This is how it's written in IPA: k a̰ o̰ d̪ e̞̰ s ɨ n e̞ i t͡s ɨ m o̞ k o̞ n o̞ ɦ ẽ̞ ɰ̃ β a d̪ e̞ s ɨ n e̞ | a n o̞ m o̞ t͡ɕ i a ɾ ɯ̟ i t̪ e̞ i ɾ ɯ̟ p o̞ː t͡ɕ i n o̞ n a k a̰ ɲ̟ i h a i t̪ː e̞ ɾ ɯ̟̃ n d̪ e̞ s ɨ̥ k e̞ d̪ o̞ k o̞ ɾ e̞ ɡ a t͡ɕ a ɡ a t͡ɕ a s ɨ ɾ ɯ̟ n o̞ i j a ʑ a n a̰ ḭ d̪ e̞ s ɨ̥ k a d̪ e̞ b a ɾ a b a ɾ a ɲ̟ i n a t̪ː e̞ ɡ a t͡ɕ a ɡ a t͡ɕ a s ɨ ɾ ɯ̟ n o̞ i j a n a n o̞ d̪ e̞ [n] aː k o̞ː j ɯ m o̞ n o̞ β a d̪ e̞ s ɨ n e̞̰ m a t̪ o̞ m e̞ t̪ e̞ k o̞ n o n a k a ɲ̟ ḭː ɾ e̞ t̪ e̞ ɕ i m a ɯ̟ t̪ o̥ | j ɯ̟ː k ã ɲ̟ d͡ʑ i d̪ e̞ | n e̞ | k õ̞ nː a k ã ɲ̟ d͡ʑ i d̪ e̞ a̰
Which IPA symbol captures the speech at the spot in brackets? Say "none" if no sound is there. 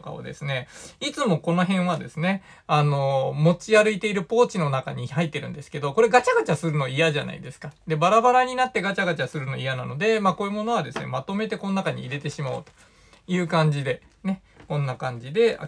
m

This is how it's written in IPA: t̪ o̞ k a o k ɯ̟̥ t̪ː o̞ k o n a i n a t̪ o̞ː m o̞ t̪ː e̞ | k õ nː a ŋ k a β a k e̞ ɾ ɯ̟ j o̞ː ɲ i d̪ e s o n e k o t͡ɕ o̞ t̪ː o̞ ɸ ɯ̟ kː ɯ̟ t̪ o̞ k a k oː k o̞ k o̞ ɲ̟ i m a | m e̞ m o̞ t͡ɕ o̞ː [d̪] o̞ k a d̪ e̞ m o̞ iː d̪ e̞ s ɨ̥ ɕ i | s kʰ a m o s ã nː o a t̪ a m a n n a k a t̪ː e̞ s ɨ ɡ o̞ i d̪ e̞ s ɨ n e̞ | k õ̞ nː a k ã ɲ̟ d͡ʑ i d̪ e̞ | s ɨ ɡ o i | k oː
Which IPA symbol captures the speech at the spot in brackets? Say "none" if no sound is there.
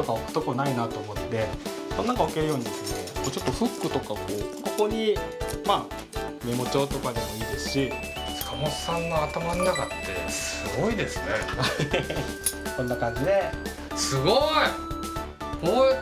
t̪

